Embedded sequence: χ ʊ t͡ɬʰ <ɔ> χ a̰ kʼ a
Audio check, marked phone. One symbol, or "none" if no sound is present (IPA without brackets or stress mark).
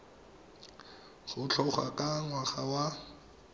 ɔ